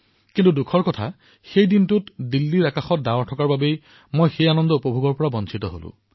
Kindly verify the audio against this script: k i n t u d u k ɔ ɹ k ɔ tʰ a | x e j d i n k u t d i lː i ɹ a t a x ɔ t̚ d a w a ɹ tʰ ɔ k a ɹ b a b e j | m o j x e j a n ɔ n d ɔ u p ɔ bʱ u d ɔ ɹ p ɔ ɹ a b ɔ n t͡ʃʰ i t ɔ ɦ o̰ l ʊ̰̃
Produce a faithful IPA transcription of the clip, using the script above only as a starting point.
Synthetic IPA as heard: k i n t u d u kʰ ɔ ɹ k ɔ tʰ a | x e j d i n t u t d i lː i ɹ a k a x ɔ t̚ d a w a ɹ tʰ ɔ k a ɹ b a b e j | m o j x e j a n ɔ n d ɔ u p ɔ bʱ u ɡ ɔ ɹ p ɔ ɹ a b ɔ n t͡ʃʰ i t ɔ ɦ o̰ l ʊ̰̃

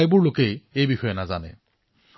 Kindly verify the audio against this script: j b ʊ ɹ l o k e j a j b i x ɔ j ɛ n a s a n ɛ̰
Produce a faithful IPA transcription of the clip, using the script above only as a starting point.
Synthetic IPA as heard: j b ʊ ɹ l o k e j e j b i x ɔ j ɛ n a z a n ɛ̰

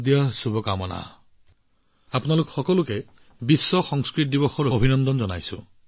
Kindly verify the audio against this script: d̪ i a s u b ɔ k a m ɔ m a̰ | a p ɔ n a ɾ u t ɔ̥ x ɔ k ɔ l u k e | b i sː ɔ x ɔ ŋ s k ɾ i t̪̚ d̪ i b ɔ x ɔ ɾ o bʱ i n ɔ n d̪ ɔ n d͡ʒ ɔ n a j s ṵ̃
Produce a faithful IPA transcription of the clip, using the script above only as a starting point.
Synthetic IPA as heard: d̪ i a s u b ɔ k a m ɔ n a̰ | a p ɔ n a l u k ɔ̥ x ɔ k ɔ l u k e | b i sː ɔ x ɔ ŋ s k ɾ i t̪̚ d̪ i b ɔ x ɔ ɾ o bʱ i n ɔ n d̪ ɔ n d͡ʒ ɔ n a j s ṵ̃

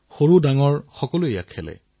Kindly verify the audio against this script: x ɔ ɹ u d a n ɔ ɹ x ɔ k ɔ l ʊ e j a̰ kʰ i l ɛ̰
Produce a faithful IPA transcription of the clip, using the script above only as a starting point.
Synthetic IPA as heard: x o ɹ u d a ŋ ɔ ɹ x ɔ k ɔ l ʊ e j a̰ kʰ ɛ l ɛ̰

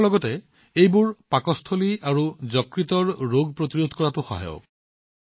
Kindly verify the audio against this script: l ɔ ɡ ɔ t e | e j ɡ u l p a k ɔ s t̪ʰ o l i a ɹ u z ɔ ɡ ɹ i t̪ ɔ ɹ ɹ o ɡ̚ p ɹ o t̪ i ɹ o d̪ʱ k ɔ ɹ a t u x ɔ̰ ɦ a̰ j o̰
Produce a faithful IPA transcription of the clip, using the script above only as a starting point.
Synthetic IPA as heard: l ɔ ɡ ɔ t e | e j b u ɹ p a k ɔ s t̪ʰ o l i a ɹ u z ɔ k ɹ i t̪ ɔ ɹ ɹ o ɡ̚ p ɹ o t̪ i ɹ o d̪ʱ k ɔ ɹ a t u x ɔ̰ ɦ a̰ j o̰

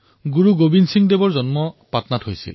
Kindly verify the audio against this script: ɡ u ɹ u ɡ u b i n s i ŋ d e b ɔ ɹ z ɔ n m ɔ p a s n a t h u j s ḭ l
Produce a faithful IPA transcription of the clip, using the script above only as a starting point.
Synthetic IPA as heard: ɡ u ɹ u ɡ o b i n s i ŋ d e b ɔ ɹ z ɔ n m ɔ p a t n a t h o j s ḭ l

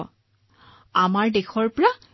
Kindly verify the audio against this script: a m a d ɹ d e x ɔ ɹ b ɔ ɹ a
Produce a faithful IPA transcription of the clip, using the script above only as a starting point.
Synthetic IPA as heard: a m a ɹ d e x ɔ ɹ p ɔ ɹ a

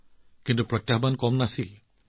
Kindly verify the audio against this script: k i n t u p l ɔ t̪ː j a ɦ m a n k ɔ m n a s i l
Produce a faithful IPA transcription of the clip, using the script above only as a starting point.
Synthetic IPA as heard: k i n t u p ɹ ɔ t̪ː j a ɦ b a n k ɔ m n a s i l

